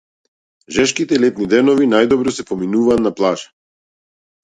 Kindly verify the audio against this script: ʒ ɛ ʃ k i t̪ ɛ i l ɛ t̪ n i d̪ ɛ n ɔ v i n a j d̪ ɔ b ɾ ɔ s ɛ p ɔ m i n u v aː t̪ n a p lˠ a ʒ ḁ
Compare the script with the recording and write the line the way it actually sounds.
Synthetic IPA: ʒ ɛ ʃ k i t̪ ɛ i l ɛ t̪ n i d̪ ɛ n ɔ v i n a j d̪ ɔ b ɾ ɔ s ɛ p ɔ m i n u v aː t̪ n a p lˠ a ʒ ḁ